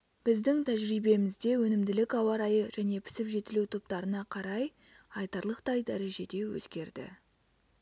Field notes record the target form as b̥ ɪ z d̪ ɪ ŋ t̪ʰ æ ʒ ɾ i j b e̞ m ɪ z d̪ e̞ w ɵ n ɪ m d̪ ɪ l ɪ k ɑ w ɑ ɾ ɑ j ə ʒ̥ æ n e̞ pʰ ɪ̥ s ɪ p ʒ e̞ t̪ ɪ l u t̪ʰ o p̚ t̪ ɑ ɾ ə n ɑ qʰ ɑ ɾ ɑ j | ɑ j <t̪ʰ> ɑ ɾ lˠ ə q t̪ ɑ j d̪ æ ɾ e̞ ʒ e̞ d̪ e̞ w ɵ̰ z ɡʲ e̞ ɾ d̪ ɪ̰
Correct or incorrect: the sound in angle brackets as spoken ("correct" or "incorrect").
incorrect